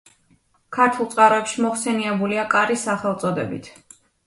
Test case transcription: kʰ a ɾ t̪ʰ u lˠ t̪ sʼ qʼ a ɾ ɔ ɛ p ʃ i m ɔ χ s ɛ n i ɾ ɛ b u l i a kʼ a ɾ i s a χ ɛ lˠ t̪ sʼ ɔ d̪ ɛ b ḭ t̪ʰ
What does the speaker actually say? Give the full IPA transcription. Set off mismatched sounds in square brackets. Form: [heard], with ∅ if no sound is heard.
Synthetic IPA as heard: kʰ a ɾ t̪ʰ u lˠ t̪ sʼ qʼ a ɾ ɔ ɛ p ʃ i m ɔ χ s ɛ n i [∅] ɛ b u l i a kʼ a ɾ i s a χ ɛ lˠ t̪ sʼ ɔ d̪ ɛ b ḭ t̪ʰ